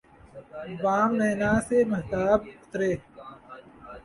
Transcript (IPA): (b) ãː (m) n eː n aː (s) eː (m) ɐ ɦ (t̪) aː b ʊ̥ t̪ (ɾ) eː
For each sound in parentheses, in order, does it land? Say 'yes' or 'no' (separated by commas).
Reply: yes, yes, yes, yes, yes, yes